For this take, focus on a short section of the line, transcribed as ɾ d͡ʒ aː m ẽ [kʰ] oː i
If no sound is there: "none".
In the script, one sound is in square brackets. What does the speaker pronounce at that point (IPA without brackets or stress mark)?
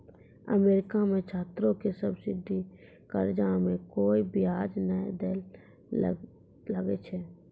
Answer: k